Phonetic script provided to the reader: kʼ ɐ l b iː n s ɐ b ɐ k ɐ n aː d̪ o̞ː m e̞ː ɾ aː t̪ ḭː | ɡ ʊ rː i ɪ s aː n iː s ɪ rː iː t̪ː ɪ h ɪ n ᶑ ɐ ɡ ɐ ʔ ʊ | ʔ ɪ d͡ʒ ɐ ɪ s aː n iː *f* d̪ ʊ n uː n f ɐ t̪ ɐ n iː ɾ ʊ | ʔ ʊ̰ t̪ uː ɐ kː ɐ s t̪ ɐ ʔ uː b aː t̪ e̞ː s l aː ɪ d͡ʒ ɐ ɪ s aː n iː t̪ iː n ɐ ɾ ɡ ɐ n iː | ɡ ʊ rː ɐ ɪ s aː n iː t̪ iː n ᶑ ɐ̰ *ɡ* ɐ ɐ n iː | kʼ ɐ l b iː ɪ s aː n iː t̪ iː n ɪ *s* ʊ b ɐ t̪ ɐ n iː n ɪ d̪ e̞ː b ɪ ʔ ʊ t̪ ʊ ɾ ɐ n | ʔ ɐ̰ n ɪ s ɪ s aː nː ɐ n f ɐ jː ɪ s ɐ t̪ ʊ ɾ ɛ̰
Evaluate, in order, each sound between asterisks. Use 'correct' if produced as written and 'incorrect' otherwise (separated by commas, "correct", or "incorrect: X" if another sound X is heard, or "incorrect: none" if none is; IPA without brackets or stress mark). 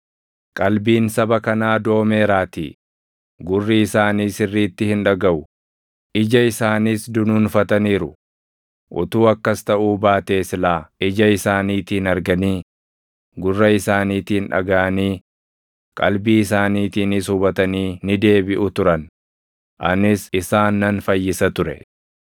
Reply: incorrect: s, correct, correct